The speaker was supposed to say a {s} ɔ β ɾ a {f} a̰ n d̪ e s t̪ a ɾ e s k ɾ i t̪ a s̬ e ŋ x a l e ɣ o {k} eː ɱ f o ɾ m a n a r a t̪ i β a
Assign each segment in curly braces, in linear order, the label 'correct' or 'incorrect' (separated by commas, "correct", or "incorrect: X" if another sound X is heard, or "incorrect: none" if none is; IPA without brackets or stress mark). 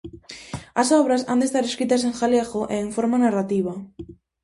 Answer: correct, incorrect: s, incorrect: ʔ